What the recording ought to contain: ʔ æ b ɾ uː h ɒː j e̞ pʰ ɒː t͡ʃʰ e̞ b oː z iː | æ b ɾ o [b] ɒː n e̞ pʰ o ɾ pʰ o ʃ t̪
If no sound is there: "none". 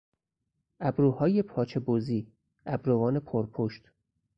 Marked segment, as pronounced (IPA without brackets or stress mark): v